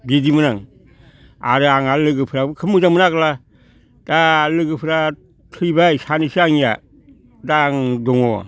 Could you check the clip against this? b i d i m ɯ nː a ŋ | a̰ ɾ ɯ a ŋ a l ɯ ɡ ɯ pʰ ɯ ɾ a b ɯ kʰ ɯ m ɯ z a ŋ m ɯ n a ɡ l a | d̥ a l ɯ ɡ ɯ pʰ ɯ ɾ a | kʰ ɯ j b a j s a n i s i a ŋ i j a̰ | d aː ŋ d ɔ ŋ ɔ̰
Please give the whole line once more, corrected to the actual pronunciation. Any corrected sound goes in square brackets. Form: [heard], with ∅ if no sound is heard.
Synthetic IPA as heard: b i d i m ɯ [n] a ŋ | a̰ ɾ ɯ a ŋ a l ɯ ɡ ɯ pʰ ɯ ɾ a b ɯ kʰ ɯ m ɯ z a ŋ m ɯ n a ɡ l a | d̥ a l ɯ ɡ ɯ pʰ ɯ ɾ a | [tʰ] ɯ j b a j s a n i s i a ŋ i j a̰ | d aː ŋ d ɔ ŋ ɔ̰